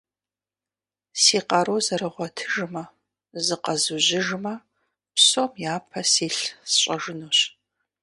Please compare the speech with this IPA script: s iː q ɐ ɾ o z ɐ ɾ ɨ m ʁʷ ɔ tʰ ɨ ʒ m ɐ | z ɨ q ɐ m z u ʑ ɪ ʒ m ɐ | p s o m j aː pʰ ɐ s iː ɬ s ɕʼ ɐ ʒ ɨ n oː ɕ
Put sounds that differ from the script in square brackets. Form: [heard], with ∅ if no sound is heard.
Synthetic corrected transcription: s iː q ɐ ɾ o z ɐ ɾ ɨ [∅] ʁʷ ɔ tʰ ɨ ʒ m ɐ | z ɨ q ɐ [∅] z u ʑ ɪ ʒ m ɐ | p s o m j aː pʰ ɐ s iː ɬ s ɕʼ ɐ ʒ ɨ n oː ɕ